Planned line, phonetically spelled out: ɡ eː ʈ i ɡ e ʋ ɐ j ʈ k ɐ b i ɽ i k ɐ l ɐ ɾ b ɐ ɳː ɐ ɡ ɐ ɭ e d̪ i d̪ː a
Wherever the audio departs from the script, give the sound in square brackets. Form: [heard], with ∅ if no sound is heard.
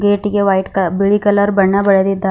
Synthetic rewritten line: ɡ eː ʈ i ɡ e ʋ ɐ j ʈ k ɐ b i [ɭ] i k ɐ l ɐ ɾ b ɐ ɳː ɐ [b] ɐ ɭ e d̪ i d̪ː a